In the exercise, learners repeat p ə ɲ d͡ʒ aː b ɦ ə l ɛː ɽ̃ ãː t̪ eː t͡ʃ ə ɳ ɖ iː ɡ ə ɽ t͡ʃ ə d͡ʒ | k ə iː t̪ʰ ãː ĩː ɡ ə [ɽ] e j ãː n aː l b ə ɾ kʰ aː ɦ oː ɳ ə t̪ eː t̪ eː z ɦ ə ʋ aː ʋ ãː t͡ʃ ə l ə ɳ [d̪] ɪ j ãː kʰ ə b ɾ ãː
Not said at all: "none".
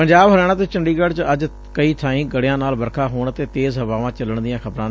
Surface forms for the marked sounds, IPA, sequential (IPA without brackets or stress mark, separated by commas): ɽ, d̪